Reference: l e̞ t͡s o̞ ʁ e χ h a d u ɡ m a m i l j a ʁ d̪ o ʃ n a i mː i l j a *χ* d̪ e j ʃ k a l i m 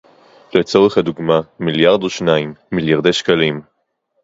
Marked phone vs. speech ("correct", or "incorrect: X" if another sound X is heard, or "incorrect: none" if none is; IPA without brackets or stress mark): incorrect: ʁ